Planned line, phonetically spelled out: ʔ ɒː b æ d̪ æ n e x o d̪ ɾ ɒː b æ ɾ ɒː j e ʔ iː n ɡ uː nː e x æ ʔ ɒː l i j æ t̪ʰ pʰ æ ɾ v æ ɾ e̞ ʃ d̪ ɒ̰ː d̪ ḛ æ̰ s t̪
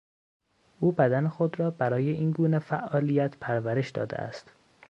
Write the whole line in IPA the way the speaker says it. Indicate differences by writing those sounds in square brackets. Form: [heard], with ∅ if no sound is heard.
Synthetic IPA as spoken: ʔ [uː] b æ d̪ æ n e x o d̪ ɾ ɒː b æ ɾ ɒː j e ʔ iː n ɡ uː [n] e [f] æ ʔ ɒː l i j æ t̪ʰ pʰ æ ɾ v æ ɾ e̞ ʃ d̪ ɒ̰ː d̪ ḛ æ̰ s t̪